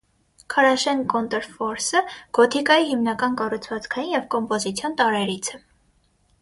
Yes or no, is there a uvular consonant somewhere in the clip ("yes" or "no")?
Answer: no